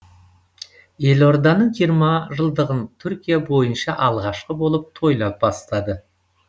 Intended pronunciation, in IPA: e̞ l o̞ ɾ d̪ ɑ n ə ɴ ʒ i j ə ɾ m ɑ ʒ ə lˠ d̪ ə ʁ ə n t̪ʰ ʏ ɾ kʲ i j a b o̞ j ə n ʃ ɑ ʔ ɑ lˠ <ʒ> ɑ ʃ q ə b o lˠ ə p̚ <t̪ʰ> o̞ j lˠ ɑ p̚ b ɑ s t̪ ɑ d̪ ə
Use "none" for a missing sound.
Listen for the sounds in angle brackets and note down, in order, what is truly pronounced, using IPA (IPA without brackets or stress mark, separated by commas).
ʁ, t̪ʰ